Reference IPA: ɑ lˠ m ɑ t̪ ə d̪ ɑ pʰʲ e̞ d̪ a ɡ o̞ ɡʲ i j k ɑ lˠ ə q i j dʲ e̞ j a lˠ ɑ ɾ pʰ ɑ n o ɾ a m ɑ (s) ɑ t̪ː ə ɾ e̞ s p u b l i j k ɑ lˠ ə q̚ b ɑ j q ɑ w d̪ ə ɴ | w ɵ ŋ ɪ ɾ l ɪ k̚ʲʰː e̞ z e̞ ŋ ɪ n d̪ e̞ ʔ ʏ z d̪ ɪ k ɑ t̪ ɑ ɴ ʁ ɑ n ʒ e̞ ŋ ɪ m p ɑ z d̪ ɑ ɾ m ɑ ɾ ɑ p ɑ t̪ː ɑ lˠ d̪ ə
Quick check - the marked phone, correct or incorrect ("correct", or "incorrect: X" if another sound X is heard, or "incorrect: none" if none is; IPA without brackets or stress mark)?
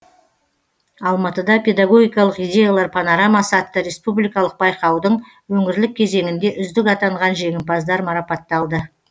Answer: correct